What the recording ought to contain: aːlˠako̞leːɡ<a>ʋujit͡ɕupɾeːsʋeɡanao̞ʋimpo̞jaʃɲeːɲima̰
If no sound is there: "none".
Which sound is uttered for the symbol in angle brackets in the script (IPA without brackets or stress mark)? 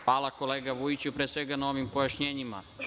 a